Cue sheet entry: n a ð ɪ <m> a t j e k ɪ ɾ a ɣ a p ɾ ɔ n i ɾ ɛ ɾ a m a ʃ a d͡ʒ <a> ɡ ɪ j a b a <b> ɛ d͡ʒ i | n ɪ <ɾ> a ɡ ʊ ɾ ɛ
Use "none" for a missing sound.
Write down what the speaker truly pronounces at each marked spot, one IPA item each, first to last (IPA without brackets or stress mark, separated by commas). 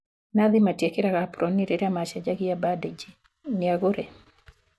m, a, d, none